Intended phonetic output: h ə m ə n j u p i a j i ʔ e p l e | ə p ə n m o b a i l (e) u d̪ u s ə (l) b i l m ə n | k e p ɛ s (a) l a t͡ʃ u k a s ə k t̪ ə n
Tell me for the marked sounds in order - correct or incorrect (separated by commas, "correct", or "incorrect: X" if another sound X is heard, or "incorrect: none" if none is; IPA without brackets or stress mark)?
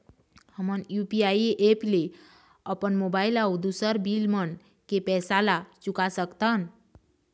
incorrect: a, incorrect: ɾ, correct